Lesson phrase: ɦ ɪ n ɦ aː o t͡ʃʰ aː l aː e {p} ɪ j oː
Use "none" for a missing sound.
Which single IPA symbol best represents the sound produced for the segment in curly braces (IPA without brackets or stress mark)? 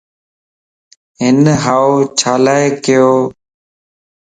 k